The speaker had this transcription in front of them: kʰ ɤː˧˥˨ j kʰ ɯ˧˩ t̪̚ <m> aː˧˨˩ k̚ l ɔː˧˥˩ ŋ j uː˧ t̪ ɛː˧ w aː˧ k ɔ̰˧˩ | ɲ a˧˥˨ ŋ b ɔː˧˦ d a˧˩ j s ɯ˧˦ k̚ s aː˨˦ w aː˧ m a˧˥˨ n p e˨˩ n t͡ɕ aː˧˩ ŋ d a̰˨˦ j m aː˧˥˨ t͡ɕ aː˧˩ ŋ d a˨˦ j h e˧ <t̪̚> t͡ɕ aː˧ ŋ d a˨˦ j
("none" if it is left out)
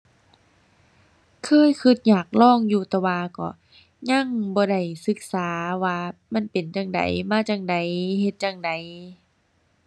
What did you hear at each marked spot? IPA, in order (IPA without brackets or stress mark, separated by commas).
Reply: ɲ, t̪̚